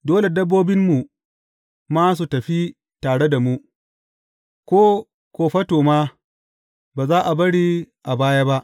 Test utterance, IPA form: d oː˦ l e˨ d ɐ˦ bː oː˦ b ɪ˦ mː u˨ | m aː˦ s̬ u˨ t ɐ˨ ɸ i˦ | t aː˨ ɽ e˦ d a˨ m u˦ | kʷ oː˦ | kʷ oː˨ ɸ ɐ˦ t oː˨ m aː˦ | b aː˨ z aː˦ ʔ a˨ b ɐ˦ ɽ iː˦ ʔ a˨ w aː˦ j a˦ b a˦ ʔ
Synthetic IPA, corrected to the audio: d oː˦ l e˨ d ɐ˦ bː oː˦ b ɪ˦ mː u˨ | m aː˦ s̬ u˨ t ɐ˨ ɸ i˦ | t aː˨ ɽ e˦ d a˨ m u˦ | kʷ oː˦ | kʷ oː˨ ɸ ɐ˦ t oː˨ m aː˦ | b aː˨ z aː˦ ʔ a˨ b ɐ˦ ɽ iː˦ ʔ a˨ b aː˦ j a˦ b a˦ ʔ